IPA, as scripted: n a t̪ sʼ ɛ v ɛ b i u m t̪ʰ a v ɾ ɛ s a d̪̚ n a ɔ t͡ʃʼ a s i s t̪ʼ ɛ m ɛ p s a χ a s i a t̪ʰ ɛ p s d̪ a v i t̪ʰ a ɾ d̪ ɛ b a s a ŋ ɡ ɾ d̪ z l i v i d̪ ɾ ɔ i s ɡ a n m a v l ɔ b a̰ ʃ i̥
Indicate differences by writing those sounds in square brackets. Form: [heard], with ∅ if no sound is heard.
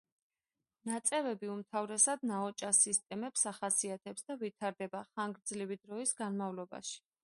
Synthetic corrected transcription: n a t̪ sʼ ɛ v ɛ b i u m t̪ʰ a v ɾ ɛ s a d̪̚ n a ɔ t͡ʃʼ a s i s t̪ʼ ɛ m ɛ p s a χ a s i a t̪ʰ ɛ p s d̪ a v i t̪ʰ a ɾ d̪ ɛ b a [χ] a ŋ ɡ ɾ d̪ z l i v i d̪ ɾ ɔ i s ɡ a n m a v l ɔ b a̰ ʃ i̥

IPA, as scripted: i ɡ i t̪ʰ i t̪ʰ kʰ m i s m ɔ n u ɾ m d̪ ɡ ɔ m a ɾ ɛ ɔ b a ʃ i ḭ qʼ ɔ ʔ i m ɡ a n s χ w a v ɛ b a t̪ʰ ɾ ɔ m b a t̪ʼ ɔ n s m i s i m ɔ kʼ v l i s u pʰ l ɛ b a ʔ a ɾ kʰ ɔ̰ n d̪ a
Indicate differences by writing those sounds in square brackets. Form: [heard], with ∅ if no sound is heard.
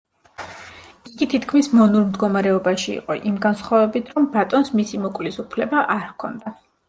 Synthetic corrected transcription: i ɡ i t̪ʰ i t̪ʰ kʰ m i s m ɔ n u ɾ m d̪ ɡ ɔ m a ɾ ɛ ɔ b a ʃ i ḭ qʼ ɔ ʔ i m ɡ a n s χ w a v ɛ b [i] t̪ʰ ɾ ɔ m b a t̪ʼ ɔ n s m i s i m ɔ kʼ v l i s u pʰ l ɛ b a ʔ a ɾ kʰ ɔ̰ n d̪ a

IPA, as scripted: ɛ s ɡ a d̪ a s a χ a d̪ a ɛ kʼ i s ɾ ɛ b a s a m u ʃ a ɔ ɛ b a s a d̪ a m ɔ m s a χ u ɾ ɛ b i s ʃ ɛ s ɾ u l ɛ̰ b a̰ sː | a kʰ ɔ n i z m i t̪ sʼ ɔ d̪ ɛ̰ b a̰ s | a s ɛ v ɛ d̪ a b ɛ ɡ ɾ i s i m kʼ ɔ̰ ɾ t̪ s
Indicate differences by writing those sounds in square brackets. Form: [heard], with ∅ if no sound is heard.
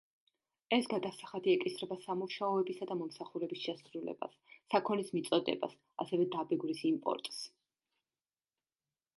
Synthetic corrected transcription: ɛ s ɡ a d̪ a s a χ a d̪ [i] ɛ kʼ i s ɾ ɛ b a s a m u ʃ a ɔ ɛ b [i] s a d̪ a m ɔ m s a χ u ɾ ɛ b i s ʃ ɛ s ɾ u l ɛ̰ b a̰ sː | a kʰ ɔ n i [s] m i t̪ sʼ ɔ d̪ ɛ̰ b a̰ s | a s ɛ v ɛ d̪ a b ɛ ɡ ɾ i s i m [pʼ] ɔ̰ ɾ [t̪ʼ] s

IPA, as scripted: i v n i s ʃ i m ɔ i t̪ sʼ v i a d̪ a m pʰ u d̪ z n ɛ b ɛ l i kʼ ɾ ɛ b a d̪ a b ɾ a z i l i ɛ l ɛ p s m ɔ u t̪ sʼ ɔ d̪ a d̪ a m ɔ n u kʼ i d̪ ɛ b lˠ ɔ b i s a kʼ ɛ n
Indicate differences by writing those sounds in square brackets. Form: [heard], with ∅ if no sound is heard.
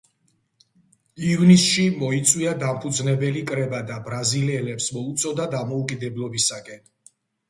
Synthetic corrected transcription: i v n i s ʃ i m ɔ i t̪ sʼ [w] i a d̪ a m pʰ u d̪ z n ɛ b ɛ l i kʼ ɾ ɛ b a d̪ a b ɾ a z i l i ɛ l ɛ p s m ɔ u t̪ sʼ ɔ d̪ a d̪ a m ɔ [∅] u kʼ i d̪ ɛ b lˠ ɔ b i s a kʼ ɛ n

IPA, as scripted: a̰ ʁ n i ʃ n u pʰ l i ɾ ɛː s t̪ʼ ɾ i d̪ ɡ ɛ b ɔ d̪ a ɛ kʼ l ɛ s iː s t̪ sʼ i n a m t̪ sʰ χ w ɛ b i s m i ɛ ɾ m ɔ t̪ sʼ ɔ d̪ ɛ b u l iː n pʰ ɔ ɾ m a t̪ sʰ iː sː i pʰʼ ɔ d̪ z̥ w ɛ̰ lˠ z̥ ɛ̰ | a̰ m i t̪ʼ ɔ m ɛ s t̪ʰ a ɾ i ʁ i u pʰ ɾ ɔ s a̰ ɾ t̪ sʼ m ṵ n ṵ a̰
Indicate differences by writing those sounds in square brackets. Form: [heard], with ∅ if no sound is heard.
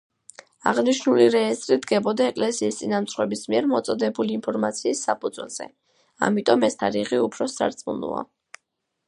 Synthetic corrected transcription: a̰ ʁ n i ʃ n u [∅] l i ɾ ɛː s t̪ʼ ɾ i d̪ ɡ ɛ b ɔ d̪ a ɛ kʼ l ɛ s iː s t̪ sʼ i n a m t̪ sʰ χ w ɛ b i s m i ɛ ɾ m ɔ t̪ sʼ ɔ d̪ ɛ b u l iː n pʰ ɔ ɾ m a t̪ sʰ iː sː [a] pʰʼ [u] d̪ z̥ w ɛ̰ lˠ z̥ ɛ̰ | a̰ m i t̪ʼ ɔ m ɛ s t̪ʰ a ɾ i ʁ i u pʰ ɾ ɔ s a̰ ɾ t̪ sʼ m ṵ n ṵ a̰

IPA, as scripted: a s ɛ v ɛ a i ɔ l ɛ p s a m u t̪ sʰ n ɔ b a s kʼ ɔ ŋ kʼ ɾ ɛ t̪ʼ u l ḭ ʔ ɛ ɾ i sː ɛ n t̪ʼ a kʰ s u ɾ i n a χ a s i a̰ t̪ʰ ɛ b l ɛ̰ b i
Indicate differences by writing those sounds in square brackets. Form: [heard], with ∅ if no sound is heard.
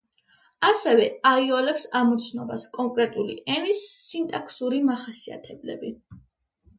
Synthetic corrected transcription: a s ɛ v ɛ a i ɔ l ɛ p s a m u t̪ sʰ n ɔ b a s kʼ ɔ ŋ kʼ ɾ ɛ t̪ʼ u l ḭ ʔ ɛ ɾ i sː [i] n t̪ʼ a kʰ s u ɾ i [m] a χ a s i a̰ t̪ʰ ɛ b l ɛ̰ b i

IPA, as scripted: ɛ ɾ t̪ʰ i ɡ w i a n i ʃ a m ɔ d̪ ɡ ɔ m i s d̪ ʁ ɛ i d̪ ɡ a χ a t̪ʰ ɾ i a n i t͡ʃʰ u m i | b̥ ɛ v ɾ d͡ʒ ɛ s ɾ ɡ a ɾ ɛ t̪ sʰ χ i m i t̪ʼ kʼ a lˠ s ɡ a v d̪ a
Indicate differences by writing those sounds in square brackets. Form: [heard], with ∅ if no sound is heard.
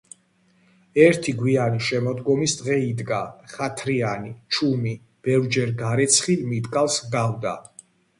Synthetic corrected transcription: ɛ ɾ t̪ʰ i ɡ w i a n i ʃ [ɛ] m ɔ d̪ ɡ ɔ m i s d̪ ʁ ɛ i d̪ ɡ a χ a t̪ʰ ɾ i a n i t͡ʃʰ u m i | b̥ ɛ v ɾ d͡ʒ ɛ [∅] ɾ ɡ a ɾ ɛ t̪ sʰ χ i m i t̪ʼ kʼ a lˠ s ɡ a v d̪ a

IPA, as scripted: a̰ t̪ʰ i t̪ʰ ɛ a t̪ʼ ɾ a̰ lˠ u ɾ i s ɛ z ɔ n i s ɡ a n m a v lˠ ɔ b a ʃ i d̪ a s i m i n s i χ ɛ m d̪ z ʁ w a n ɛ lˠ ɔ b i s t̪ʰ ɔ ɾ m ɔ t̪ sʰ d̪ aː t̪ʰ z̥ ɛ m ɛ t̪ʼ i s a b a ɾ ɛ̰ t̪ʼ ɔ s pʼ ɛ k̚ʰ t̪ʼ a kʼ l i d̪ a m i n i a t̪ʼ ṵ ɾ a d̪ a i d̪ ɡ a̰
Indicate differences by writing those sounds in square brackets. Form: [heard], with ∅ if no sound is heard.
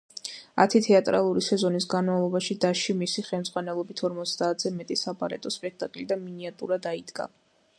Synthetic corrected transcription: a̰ t̪ʰ i t̪ʰ ɛ a t̪ʼ ɾ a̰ lˠ u ɾ i s ɛ z ɔ n i s ɡ a n m a v lˠ ɔ b a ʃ i d̪ a [ʃ] i m i [∅] s i χ ɛ m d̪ z ʁ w a n ɛ lˠ ɔ b i [∅] t̪ʰ ɔ ɾ m ɔ t̪ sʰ d̪ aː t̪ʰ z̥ ɛ m ɛ t̪ʼ i s a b a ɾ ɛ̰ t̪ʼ ɔ s pʼ ɛ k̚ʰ t̪ʼ a kʼ l i d̪ a m i n i a t̪ʼ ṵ ɾ a d̪ a i d̪ ɡ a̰

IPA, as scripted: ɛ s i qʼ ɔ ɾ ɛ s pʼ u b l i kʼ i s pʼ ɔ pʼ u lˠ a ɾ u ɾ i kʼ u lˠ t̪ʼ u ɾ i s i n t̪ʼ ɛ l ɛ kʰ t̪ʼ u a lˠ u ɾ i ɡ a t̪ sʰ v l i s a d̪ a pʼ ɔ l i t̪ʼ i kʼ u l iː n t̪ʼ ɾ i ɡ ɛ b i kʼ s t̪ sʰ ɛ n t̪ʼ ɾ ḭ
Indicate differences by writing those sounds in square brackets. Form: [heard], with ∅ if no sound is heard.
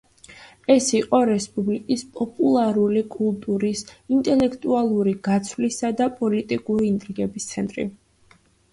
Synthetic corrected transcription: ɛ s i qʼ ɔ ɾ ɛ s pʼ u b l i kʼ i s pʼ ɔ pʼ u lˠ a ɾ u [l] i kʼ u lˠ t̪ʼ u ɾ i s i n t̪ʼ ɛ l ɛ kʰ t̪ʼ u a lˠ u ɾ i ɡ a t̪ sʰ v l i s a d̪ a pʼ ɔ l i t̪ʼ i kʼ u [ɾ] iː n t̪ʼ ɾ i ɡ ɛ b i [∅] s t̪ sʰ ɛ n t̪ʼ ɾ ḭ

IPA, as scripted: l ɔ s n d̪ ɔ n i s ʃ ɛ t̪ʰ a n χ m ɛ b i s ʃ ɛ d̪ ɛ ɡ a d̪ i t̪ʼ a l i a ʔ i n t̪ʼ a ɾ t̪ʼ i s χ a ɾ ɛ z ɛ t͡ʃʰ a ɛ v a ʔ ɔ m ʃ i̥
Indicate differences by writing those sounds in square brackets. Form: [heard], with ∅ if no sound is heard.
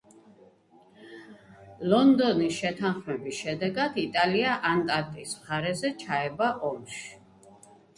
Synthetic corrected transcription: l ɔ [∅] n d̪ ɔ n i s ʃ ɛ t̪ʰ a n χ m ɛ b i s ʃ ɛ d̪ ɛ ɡ a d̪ i t̪ʼ a l i a ʔ [a] n t̪ʼ a ɾ t̪ʼ i s χ a ɾ ɛ z ɛ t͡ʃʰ a ɛ [b] a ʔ ɔ m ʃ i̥

